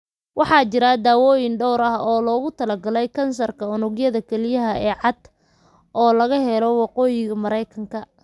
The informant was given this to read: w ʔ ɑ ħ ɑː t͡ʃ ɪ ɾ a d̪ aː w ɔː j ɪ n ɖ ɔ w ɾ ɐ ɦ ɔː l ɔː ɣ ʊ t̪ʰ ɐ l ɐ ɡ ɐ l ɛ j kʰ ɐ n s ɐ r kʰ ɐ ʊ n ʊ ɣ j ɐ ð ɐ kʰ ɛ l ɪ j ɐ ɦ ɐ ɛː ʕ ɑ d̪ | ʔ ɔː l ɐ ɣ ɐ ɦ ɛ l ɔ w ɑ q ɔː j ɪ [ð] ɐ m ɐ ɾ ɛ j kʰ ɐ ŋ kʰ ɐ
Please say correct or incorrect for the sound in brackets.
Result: incorrect